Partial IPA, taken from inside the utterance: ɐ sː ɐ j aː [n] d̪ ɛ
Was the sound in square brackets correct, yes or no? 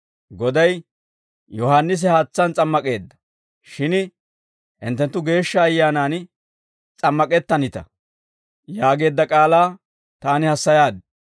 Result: no